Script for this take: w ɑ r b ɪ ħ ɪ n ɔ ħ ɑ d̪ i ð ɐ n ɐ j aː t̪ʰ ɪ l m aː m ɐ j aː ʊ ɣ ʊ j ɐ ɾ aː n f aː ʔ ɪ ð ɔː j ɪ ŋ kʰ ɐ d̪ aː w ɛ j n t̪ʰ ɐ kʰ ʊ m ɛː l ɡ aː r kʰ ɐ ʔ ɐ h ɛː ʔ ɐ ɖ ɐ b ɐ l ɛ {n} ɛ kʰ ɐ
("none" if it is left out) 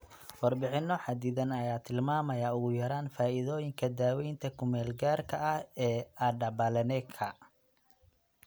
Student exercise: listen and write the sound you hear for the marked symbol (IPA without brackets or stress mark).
n